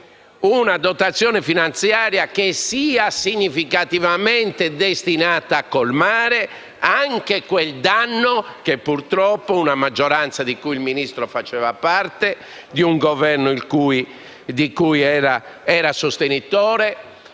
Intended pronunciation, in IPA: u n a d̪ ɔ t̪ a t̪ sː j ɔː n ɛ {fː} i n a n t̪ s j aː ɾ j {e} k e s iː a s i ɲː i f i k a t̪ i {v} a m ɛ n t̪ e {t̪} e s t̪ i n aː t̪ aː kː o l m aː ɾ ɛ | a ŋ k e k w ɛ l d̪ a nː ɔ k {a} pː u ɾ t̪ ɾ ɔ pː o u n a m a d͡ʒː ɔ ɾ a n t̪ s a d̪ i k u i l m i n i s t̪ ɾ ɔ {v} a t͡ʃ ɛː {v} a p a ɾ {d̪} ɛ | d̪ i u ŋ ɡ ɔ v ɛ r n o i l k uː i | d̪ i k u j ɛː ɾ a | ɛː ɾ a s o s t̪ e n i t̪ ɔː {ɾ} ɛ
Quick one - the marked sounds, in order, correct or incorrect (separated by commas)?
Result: incorrect, incorrect, correct, incorrect, incorrect, incorrect, correct, incorrect, correct